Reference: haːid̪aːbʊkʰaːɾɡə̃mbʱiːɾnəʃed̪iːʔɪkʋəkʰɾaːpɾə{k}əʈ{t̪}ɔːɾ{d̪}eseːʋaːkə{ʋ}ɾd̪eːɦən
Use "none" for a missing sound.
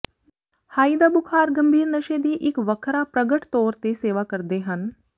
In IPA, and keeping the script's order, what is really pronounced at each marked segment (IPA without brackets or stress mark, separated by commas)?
ɡ, t̪, t̪, none